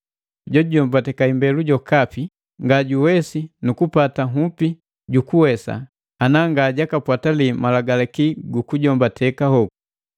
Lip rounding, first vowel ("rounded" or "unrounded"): rounded